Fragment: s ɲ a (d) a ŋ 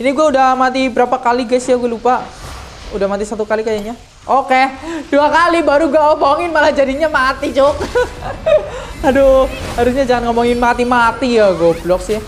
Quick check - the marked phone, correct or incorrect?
incorrect